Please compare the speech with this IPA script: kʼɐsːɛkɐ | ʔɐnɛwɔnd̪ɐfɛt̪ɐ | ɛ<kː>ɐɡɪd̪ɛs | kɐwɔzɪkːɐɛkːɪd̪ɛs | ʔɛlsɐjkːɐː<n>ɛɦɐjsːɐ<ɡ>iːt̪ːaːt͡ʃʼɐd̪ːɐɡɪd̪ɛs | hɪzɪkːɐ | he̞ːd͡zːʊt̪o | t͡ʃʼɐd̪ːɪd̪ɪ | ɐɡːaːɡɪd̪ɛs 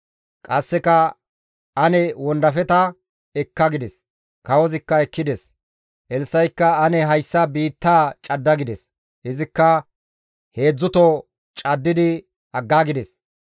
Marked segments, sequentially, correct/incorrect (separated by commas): correct, correct, incorrect